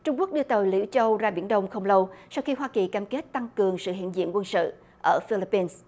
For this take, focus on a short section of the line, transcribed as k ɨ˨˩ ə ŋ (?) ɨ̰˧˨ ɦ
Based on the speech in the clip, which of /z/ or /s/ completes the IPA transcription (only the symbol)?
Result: s